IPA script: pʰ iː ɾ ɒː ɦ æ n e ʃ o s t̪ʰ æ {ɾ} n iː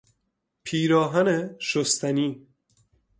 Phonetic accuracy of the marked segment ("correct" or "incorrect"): incorrect